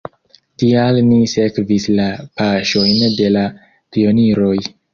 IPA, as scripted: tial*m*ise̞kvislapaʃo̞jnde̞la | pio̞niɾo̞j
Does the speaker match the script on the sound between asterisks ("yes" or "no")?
no